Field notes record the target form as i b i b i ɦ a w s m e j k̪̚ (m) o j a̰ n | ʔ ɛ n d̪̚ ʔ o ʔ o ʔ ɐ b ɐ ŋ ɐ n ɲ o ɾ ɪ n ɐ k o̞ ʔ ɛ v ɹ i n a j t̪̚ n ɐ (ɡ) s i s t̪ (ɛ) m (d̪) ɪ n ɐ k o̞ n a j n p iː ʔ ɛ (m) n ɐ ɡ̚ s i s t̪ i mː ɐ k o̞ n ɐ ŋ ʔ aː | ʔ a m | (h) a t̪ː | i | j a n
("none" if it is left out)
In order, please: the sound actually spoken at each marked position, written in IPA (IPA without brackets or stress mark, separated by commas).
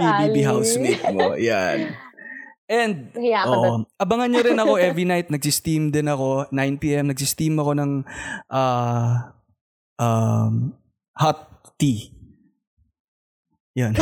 m, ɡ, i, d̪, m, h